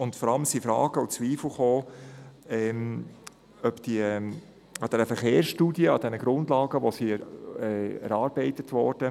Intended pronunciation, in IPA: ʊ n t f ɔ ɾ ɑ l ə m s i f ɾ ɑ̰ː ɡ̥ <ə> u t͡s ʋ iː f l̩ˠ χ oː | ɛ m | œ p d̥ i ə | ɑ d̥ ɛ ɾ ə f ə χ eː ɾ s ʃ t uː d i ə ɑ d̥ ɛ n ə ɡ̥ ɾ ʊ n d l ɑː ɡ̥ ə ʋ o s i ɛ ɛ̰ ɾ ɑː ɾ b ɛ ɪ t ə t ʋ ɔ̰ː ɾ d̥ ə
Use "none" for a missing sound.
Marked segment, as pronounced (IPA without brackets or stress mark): ə